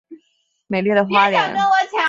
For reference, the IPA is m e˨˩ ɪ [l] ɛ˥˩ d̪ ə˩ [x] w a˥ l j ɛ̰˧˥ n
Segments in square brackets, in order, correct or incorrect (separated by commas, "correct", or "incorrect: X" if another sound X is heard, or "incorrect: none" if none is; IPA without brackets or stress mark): correct, correct